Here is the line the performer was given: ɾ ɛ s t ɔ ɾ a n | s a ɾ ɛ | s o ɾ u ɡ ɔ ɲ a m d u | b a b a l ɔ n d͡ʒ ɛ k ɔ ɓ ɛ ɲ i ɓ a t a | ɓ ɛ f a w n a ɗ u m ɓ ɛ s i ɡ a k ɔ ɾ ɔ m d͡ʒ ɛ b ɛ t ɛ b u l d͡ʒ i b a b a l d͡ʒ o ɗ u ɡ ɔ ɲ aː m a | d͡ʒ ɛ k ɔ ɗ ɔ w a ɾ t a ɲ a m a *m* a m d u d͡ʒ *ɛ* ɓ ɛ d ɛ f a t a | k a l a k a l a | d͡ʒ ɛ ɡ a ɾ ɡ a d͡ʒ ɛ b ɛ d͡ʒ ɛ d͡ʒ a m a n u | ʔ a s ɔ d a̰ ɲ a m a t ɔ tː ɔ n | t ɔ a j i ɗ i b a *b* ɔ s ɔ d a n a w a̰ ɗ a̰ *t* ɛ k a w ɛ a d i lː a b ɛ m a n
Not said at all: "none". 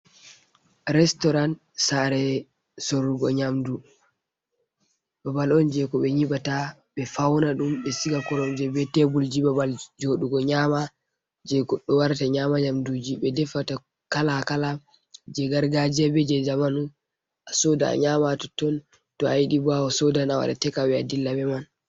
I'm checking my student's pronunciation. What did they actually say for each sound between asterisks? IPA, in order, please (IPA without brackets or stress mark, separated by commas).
ɲ, i, w, t